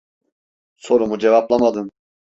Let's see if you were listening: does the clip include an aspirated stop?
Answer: no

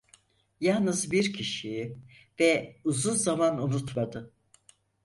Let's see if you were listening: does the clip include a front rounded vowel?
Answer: no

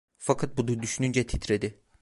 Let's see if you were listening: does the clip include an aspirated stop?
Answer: yes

